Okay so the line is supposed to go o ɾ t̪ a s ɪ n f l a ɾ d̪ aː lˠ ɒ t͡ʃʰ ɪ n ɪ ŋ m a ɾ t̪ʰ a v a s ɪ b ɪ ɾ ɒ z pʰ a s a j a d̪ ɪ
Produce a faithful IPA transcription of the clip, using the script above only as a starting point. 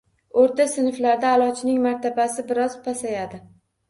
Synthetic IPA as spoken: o ɾ t̪ a s ɪ n f l a ɾ d̪ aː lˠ ɒ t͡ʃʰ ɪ n ɪ ŋ m a ɾ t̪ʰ a b a s ɪ b ɪ ɾ ɒ z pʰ a s a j a d̪ ɪ